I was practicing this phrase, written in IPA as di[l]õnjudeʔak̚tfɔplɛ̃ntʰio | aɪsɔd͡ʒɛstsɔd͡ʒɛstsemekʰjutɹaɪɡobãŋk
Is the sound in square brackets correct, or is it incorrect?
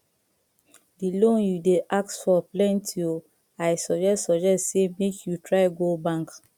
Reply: correct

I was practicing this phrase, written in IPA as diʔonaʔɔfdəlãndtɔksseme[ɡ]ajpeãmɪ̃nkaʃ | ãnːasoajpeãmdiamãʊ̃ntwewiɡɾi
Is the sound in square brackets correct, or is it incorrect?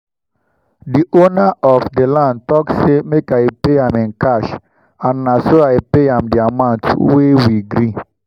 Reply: incorrect: k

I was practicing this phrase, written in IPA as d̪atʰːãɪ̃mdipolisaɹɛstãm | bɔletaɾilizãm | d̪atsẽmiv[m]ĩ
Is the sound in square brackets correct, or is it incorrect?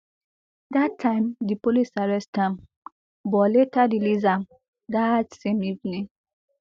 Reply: incorrect: n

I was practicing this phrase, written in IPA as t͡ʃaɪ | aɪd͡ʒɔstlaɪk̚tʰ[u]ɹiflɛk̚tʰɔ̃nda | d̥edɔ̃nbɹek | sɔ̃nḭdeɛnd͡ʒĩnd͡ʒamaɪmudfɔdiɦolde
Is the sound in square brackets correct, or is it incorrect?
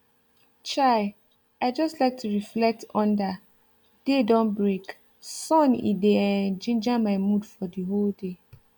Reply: correct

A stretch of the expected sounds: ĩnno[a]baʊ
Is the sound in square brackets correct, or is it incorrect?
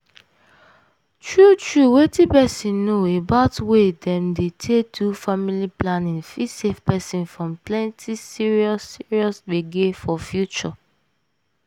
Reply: incorrect: e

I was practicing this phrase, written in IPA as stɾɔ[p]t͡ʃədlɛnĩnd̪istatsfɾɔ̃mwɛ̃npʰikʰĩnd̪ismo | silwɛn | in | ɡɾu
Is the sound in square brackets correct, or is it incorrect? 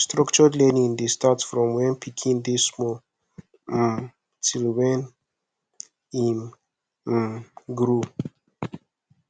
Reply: incorrect: k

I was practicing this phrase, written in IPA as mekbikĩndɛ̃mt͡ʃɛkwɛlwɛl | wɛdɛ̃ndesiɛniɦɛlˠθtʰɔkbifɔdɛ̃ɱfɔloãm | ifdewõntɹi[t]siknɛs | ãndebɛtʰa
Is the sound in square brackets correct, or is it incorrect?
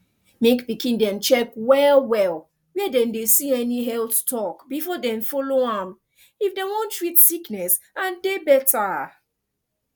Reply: correct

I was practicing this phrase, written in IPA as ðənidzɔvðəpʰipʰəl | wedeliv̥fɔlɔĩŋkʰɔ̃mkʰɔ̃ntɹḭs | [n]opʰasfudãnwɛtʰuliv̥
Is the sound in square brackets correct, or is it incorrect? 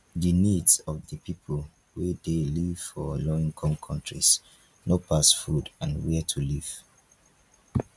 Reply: correct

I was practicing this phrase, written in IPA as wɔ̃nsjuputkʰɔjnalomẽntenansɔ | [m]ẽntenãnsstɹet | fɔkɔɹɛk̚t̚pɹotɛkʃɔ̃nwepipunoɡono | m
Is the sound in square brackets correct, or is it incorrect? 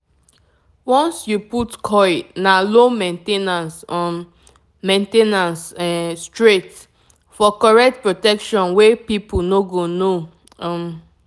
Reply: correct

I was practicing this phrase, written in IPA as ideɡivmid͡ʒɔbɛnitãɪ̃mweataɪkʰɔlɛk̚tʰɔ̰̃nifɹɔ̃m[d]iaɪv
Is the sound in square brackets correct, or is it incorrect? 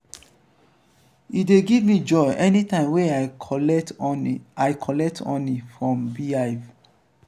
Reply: incorrect: b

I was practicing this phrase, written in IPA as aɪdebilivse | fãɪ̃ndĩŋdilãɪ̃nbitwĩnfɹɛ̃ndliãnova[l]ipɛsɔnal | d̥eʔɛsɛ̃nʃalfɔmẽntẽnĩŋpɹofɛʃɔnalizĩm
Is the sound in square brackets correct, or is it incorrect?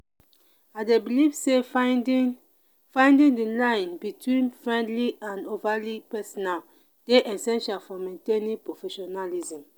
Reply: correct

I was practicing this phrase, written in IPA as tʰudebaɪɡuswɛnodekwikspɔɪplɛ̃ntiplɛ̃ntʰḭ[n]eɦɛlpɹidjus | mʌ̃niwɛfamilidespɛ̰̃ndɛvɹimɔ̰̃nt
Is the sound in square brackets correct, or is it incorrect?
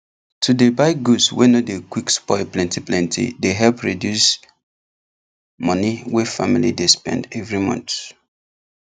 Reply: incorrect: d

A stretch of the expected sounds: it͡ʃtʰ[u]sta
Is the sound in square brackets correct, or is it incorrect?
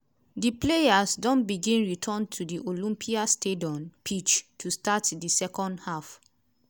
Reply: correct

